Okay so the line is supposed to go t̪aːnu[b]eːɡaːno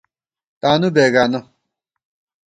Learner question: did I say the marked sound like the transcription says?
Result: yes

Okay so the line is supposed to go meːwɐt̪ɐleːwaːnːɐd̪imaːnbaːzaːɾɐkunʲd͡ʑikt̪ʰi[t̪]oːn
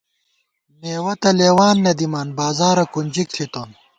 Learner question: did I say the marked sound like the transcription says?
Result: yes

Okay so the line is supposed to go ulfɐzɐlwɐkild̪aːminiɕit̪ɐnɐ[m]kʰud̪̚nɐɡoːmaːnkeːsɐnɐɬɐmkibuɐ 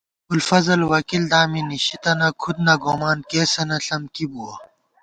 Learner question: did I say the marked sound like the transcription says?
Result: no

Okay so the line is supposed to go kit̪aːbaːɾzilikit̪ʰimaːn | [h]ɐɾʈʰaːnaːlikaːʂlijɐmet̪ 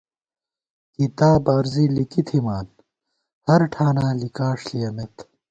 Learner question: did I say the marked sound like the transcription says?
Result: yes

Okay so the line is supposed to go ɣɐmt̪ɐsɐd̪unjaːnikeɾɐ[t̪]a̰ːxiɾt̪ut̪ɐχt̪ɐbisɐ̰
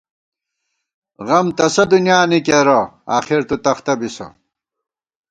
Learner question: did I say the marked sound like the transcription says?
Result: no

